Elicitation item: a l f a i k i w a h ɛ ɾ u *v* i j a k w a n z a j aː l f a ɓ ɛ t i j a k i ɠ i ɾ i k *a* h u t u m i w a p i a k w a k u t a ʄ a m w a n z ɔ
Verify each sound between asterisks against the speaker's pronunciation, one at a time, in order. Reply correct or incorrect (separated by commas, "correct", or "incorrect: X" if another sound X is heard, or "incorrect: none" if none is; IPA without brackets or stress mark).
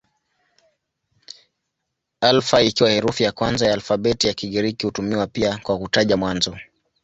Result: incorrect: f, incorrect: i